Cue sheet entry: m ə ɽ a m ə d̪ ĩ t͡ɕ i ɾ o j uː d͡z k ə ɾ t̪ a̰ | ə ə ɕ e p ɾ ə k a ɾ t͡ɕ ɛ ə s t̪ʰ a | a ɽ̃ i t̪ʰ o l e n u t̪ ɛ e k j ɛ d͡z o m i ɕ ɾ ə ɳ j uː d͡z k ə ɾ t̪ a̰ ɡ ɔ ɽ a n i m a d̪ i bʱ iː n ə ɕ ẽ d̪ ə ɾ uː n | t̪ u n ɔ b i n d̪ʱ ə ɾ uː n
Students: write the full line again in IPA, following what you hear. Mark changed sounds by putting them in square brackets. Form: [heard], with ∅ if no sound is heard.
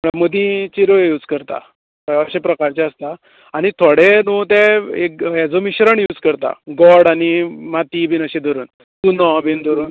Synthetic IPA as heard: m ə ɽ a m ə d̪ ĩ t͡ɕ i ɾ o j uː d͡z k ə ɾ t̪ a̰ | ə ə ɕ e p ɾ ə k a ɾ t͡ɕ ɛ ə s [t̪] a | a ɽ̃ i t̪ʰ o [ɽ] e n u t̪ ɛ e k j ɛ d͡z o m i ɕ ɾ ə ɳ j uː d͡z k ə ɾ t̪ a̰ ɡ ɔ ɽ a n i m a [t̪] i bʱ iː n ə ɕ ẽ d̪ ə ɾ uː n | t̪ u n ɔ b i n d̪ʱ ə ɾ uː n